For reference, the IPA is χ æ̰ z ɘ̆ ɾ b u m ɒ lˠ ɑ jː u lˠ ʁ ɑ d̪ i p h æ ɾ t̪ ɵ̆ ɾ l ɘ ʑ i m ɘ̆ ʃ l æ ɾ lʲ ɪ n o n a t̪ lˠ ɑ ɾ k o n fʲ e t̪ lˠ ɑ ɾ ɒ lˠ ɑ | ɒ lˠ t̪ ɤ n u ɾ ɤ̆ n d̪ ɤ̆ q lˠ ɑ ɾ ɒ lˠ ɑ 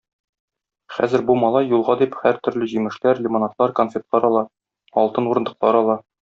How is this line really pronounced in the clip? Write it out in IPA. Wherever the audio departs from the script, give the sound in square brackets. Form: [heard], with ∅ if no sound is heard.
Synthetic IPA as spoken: χ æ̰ z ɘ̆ ɾ b u m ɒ lˠ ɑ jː u lˠ ʁ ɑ d̪ i p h æ ɾ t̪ ɵ̆ ɾ l ɘ ʑ i m ɘ̆ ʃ l æ ɾ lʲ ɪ [m] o n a t̪ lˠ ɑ ɾ k o n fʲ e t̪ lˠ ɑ ɾ ɒ lˠ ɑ | ɒ lˠ t̪ ɤ n u ɾ ɤ̆ n d̪ ɤ̆ q lˠ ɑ ɾ ɒ lˠ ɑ